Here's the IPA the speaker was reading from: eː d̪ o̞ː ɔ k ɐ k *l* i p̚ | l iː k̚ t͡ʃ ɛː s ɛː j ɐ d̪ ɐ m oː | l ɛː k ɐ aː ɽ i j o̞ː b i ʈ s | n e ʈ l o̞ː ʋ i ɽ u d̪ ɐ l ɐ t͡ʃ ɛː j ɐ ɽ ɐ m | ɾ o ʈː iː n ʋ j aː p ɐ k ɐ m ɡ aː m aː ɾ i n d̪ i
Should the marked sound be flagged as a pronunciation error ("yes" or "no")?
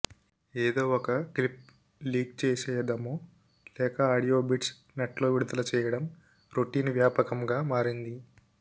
no